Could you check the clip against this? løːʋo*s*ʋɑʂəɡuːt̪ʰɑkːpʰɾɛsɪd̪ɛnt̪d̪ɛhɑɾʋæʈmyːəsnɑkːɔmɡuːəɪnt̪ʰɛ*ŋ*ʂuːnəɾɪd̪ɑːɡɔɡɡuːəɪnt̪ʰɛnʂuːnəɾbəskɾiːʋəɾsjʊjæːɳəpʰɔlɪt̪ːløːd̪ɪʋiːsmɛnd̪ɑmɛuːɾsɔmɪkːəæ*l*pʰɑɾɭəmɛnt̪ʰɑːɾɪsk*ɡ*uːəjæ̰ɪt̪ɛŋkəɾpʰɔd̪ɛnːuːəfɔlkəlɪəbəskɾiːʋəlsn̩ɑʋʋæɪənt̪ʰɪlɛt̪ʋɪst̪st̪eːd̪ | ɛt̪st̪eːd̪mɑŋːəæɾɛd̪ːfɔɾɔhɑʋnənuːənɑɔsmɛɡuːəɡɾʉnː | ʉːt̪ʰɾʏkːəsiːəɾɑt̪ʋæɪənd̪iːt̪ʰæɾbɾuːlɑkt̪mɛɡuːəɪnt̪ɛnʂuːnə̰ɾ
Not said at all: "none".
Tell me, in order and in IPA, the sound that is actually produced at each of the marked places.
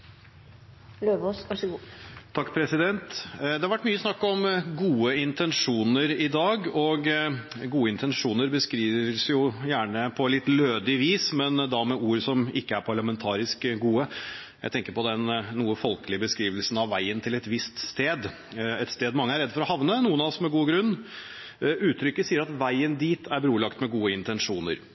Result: s, n, ɾ, ɡ

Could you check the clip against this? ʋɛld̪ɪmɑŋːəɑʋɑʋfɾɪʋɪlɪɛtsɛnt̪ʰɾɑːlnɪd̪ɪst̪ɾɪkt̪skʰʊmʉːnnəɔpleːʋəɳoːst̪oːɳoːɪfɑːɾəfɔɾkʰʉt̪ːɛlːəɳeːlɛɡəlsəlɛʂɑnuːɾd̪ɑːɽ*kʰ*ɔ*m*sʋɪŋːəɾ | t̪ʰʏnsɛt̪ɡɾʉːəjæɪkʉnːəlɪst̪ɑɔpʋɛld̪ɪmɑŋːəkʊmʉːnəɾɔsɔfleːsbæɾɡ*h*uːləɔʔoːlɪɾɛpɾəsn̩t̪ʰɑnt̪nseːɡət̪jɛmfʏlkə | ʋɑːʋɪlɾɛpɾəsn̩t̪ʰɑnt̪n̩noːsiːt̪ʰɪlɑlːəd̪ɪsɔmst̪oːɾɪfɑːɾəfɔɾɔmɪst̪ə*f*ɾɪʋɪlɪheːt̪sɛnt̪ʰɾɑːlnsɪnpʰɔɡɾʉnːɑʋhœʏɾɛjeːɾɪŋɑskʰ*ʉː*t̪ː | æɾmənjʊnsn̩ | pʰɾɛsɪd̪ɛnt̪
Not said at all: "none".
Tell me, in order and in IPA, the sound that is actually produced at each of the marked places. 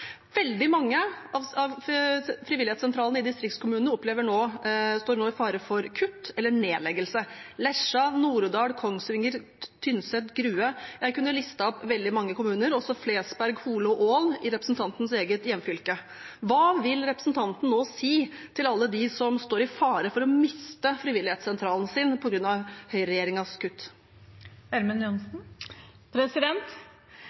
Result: kʰ, ŋ, h, f, ʉ

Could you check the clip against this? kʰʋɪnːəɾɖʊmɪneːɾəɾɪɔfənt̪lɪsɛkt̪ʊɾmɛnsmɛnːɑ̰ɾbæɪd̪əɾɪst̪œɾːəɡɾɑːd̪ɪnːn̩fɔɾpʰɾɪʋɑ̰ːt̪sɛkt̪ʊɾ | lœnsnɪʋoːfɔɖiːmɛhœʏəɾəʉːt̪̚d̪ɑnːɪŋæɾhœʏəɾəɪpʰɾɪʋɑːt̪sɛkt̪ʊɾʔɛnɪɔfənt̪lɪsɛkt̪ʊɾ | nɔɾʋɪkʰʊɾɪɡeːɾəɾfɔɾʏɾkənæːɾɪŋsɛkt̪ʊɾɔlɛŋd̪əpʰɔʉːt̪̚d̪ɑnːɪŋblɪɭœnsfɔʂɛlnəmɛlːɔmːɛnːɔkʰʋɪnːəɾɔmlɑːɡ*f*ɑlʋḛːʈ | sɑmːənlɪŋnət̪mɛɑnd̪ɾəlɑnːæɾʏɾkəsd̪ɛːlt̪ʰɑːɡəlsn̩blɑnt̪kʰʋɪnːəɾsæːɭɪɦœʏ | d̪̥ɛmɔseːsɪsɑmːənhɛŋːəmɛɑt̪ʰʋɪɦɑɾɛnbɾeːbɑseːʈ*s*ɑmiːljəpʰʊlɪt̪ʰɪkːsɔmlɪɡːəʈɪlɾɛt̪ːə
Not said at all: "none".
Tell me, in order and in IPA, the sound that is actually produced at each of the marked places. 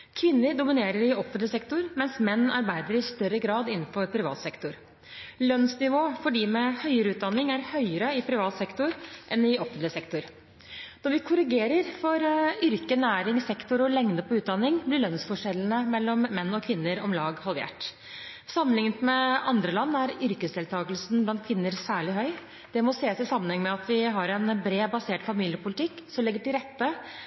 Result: h, f

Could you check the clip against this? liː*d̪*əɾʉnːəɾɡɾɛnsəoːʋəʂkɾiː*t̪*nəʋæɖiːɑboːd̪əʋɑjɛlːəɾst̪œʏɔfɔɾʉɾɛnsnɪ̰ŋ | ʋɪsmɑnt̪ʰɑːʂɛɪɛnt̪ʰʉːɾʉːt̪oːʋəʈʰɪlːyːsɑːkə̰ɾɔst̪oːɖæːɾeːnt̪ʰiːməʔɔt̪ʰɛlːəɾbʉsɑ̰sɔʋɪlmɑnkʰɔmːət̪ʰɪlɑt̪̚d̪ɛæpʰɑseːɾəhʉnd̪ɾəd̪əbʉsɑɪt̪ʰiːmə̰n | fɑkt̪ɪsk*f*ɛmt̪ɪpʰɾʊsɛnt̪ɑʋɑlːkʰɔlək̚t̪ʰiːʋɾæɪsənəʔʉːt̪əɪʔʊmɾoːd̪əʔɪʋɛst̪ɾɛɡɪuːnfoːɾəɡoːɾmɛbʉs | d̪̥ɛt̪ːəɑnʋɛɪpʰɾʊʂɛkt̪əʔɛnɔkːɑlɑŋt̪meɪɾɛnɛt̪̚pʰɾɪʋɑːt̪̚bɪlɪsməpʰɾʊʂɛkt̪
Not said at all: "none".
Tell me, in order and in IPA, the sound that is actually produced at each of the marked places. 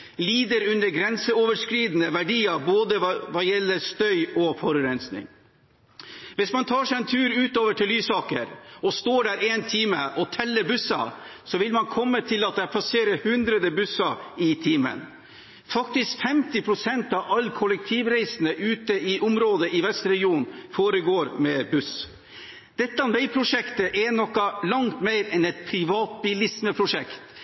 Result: d̪, d̪, f

